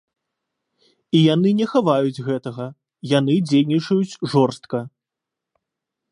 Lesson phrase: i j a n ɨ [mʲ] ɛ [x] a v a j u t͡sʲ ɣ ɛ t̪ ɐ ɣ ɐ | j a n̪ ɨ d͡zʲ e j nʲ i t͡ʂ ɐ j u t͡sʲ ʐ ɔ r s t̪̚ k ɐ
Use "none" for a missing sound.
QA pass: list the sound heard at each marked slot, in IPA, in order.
nʲ, x

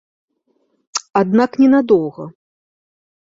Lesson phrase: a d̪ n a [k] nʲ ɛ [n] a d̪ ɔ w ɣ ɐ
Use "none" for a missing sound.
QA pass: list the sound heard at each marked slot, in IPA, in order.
k, n

